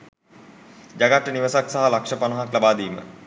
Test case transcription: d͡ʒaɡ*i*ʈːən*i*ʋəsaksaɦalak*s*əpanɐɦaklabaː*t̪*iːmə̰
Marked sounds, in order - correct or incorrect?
incorrect, correct, incorrect, incorrect

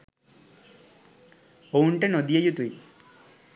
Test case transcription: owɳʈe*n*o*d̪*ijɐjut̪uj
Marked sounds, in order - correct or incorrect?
correct, correct

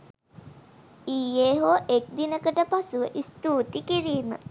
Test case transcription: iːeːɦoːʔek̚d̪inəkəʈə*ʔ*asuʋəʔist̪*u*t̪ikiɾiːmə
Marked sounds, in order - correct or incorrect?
incorrect, incorrect

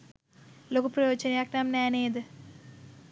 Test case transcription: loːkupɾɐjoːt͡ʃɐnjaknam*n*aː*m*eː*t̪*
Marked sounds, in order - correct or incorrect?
correct, incorrect, incorrect

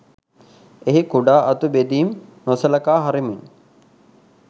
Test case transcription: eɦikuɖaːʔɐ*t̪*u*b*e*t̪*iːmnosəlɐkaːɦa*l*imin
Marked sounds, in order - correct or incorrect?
correct, correct, incorrect, incorrect

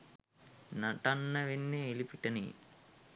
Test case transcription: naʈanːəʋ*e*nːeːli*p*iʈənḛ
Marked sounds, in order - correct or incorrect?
correct, correct

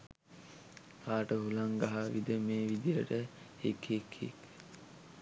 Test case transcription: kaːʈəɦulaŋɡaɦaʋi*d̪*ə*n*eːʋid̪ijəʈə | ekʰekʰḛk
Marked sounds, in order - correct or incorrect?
correct, incorrect

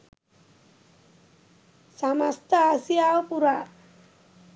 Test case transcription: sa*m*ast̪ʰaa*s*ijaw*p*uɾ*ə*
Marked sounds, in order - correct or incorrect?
correct, correct, correct, incorrect

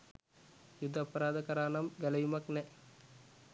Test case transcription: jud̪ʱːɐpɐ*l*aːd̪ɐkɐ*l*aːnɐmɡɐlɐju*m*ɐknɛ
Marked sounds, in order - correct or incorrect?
incorrect, incorrect, correct

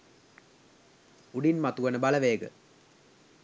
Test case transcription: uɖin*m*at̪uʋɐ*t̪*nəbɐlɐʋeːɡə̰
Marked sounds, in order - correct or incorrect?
correct, incorrect

